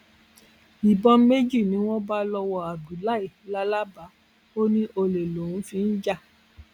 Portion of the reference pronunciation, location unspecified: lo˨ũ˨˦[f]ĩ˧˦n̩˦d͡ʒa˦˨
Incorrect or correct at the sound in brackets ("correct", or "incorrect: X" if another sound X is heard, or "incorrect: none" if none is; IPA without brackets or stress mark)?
correct